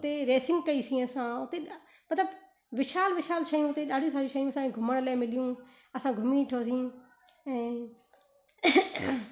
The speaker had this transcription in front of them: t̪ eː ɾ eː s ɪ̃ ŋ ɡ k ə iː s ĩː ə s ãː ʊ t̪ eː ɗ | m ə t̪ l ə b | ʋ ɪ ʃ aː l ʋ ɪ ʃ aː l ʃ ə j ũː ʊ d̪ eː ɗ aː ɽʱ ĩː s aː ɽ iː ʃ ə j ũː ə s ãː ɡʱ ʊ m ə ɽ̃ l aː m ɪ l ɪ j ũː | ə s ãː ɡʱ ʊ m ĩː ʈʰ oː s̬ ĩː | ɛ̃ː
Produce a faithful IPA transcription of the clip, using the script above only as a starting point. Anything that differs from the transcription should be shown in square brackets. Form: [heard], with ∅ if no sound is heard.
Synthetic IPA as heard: t̪ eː ɾ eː s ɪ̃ ŋ ɡ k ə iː s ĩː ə s ãː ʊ t̪ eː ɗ | m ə t̪ l ə b | ʋ ɪ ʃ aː l ʋ ɪ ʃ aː l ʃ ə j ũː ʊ [t̪] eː ɗ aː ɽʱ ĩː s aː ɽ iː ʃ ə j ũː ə s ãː ɡʱ ʊ m ə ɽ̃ l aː m ɪ l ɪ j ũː | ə s ãː ɡʱ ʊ m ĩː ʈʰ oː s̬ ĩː | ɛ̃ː